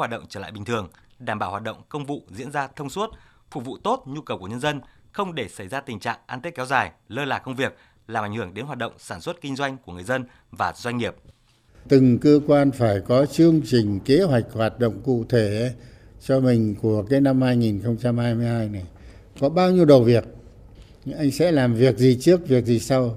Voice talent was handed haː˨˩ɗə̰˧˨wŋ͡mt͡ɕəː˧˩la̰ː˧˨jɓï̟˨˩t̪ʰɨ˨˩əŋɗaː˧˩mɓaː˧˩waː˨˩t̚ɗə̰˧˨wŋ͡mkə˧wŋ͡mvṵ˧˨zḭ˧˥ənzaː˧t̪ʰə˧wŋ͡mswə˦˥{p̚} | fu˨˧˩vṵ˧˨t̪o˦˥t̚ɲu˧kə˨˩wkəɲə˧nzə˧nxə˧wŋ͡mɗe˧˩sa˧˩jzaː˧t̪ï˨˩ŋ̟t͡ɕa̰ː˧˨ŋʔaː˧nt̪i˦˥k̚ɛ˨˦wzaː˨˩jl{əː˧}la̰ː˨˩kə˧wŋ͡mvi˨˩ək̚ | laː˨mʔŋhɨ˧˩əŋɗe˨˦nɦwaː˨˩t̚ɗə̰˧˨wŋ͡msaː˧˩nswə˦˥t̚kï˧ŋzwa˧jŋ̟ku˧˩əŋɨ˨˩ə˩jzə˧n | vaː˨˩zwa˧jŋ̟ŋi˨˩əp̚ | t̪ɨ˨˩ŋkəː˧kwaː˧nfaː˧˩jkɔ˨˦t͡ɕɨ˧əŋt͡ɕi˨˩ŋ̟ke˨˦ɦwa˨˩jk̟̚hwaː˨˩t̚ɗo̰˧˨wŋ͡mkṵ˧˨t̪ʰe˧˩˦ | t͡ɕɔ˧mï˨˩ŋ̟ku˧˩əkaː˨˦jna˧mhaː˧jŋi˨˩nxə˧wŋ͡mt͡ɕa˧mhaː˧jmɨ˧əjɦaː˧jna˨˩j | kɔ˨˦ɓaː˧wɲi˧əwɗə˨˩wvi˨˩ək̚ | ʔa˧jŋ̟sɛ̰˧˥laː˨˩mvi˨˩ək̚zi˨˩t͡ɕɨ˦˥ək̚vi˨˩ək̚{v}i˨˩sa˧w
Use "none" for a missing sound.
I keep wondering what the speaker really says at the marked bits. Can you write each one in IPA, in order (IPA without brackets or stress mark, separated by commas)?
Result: t̚, əː˧, z